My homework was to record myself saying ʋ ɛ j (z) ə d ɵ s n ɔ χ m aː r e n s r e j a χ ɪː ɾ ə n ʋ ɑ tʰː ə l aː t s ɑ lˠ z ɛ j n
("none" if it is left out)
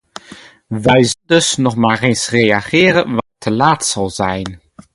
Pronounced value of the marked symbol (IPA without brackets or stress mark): z